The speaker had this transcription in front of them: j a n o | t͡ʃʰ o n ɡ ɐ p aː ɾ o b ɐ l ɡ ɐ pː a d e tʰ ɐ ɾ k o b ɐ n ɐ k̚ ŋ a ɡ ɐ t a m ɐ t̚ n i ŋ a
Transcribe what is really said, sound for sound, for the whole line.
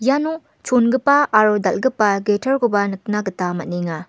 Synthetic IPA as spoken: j a n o | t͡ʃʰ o n ɡ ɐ p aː ɾ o d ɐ l ɡ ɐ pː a ɡ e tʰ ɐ ɾ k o b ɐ n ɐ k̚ n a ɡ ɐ t a m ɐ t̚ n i ŋ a